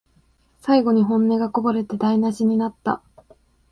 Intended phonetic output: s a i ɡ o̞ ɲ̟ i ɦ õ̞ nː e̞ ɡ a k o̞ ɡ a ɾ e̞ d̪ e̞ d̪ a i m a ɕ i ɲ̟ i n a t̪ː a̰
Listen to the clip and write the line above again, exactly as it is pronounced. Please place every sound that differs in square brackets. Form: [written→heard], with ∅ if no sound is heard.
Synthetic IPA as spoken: s a i ɡ o̞ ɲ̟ i ɦ õ̞ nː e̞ ɡ a k o̞ [ɡ→b] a ɾ e̞ [d̪→t̪] e̞ d̪ a i [m→n] a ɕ i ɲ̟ i n a t̪ː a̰